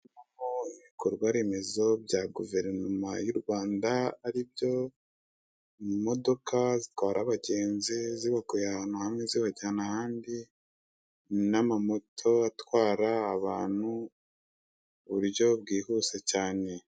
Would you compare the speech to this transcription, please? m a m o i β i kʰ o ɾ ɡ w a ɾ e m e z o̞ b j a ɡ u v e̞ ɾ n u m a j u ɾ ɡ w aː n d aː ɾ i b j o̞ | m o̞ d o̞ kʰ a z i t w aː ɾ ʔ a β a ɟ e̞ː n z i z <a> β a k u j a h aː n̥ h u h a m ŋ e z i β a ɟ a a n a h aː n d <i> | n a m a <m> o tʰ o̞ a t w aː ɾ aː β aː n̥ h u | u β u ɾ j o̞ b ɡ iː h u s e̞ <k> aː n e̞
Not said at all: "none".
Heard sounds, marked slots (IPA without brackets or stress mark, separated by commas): i, i, m, c